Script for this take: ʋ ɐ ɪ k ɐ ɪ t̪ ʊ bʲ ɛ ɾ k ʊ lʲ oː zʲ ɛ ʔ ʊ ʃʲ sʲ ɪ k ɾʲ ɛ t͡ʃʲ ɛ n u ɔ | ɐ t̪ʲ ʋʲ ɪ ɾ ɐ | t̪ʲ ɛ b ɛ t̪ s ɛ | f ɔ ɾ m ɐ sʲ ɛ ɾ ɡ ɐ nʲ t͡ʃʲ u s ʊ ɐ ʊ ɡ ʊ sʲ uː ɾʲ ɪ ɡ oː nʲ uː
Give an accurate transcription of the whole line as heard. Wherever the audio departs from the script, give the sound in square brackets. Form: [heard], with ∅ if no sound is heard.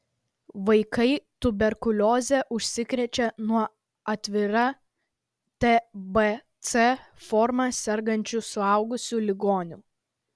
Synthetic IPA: ʋ ɐ ɪ k ɐ ɪ t̪ ʊ bʲ ɛ ɾ k ʊ lʲ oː zʲ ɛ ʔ ʊ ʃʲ sʲ ɪ k ɾʲ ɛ t͡ʃʲ ɛ n u ɔ | ɐ t̪ʲ ʋʲ ɪ ɾ ɐ | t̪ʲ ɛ b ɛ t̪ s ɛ | f ɔ ɾ m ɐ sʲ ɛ ɾ ɡ ɐ nʲ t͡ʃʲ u s ʊ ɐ ʊ ɡ ʊ sʲ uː [lʲ] ɪ ɡ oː nʲ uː

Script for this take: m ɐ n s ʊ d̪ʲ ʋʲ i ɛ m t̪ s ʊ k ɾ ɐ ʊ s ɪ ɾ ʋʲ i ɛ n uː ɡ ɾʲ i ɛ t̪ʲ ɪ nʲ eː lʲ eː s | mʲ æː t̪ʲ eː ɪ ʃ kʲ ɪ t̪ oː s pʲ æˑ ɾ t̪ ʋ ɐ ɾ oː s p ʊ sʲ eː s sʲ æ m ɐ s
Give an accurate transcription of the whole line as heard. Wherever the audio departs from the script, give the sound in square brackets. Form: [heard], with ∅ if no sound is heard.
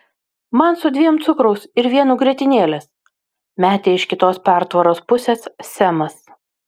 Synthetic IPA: m ɐ n s ʊ d̪ʲ ʋʲ i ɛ m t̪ s ʊ k ɾ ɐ ʊ s ɪ ɾ ʋʲ i ɛ n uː ɡ ɾʲ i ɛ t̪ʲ ɪ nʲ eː lʲ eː s | mʲ æː t̪ʲ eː ɪ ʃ kʲ ɪ t̪ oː s pʲ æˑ ɾ t̪ ʋ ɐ ɾ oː s p ʊ sʲ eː s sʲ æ m ɐ s

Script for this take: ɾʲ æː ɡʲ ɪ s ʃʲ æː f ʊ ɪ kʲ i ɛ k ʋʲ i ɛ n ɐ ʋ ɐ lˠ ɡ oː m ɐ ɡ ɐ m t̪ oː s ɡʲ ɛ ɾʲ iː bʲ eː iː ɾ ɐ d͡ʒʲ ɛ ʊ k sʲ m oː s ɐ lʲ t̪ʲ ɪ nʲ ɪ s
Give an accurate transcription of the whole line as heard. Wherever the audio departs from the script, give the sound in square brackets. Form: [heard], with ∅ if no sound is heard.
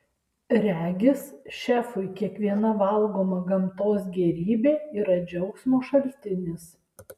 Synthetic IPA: ɾʲ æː ɡʲ ɪ s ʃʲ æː f ʊ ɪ kʲ i ɛ k ʋʲ i ɛ n ɐ ʋ ɐ lˠ ɡ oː m ɐ ɡ ɐ m t̪ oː s ɡʲ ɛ ɾʲ iː bʲ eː iː ɾ ɐ d͡ʒʲ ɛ ʊ k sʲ m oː [ʃ] ɐ lʲ t̪ʲ ɪ nʲ ɪ s

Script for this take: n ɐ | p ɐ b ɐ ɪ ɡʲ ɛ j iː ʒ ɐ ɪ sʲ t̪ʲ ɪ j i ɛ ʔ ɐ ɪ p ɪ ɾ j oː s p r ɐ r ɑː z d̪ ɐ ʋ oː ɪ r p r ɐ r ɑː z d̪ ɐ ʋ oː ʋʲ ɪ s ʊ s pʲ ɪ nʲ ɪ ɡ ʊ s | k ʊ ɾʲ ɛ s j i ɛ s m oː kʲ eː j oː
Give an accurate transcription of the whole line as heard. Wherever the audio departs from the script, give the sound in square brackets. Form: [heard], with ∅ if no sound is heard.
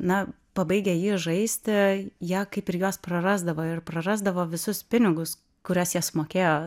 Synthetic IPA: n ɐ | p ɐ b ɐ ɪ ɡʲ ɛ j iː ʒ ɐ ɪ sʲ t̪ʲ ɪ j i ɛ [k] ɐ ɪ p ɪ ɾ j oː s p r ɐ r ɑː z d̪ ɐ ʋ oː ɪ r p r ɐ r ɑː z d̪ ɐ ʋ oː ʋʲ ɪ s ʊ s pʲ ɪ nʲ ɪ ɡ ʊ s | k ʊ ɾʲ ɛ s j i ɛ s m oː kʲ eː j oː

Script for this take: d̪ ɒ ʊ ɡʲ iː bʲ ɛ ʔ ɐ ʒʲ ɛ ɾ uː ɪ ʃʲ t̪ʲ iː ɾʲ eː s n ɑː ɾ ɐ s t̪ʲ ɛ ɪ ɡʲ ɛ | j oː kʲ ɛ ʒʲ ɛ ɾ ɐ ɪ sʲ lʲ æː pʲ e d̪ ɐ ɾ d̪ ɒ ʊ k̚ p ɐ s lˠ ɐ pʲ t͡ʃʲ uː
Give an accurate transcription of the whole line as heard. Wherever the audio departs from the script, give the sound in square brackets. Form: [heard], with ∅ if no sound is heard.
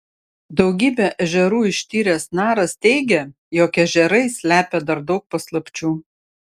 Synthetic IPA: d̪ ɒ ʊ ɡʲ iː bʲ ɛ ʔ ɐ ʒʲ ɛ ɾ uː ɪ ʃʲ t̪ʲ iː ɾʲ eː s n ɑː ɾ ɐ s t̪ʲ ɛ ɪ ɡʲ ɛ | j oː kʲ ɛ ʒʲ ɛ ɾ ɐ ɪ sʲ lʲ æː pʲ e d̪ ɐ ɾ d̪ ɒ ʊ k̚ p ɐ s lˠ ɐ pʲ t͡ʃʲ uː

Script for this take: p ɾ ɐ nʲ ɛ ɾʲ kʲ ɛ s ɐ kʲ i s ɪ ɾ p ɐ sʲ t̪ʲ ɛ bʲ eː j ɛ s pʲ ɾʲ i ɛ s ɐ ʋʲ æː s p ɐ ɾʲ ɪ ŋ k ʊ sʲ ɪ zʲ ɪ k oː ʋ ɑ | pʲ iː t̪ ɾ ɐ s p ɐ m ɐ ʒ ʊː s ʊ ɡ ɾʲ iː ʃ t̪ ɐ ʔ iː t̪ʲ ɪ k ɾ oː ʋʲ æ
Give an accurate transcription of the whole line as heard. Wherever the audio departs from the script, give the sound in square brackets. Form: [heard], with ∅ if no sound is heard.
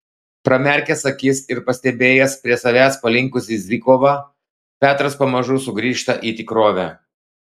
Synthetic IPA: p ɾ ɐ [mʲ] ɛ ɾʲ kʲ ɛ s ɐ kʲ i s ɪ ɾ p ɐ sʲ t̪ʲ ɛ bʲ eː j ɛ s pʲ ɾʲ i ɛ s ɐ ʋʲ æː s p ɐ [lʲ] ɪ ŋ k ʊ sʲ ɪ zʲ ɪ k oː ʋ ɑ | pʲ [æː] t̪ ɾ ɐ s p ɐ m ɐ ʒ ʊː s ʊ ɡ ɾʲ iː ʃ t̪ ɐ ʔ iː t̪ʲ ɪ k ɾ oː ʋʲ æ

